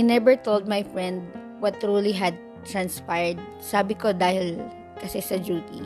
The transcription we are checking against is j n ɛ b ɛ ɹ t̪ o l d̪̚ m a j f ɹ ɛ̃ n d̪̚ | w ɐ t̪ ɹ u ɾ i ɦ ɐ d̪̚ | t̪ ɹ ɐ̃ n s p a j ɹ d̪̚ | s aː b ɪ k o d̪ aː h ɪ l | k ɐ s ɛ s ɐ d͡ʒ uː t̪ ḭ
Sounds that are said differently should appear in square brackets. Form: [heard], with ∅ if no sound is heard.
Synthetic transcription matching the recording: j n ɛ b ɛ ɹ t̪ o l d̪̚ m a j f ɹ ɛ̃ n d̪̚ | w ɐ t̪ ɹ u [l] i ɦ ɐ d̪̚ | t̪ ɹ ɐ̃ n s p a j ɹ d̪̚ | s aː b ɪ k o d̪ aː h ɪ l | k ɐ s ɛ s ɐ d͡ʒ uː t̪ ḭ